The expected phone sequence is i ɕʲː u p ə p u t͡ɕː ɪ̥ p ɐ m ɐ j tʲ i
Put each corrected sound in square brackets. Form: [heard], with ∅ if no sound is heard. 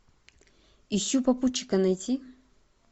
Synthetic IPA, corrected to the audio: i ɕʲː u p [ɐ] p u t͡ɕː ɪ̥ [k] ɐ [n] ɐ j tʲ i